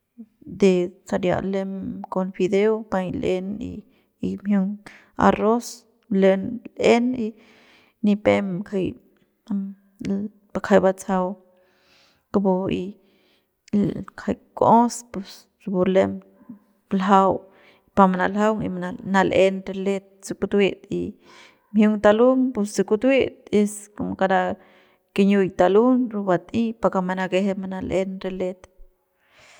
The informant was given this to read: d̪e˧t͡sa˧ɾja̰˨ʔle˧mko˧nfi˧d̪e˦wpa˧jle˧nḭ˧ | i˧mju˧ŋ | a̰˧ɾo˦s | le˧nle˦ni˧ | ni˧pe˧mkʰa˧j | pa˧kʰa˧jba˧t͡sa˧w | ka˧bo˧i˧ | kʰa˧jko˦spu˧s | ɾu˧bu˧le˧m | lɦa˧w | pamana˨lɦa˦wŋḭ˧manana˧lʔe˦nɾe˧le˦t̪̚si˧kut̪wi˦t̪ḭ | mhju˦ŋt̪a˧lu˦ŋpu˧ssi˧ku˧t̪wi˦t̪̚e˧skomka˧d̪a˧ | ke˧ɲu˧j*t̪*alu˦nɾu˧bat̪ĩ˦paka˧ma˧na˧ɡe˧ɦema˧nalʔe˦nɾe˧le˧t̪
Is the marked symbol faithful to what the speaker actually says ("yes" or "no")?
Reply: yes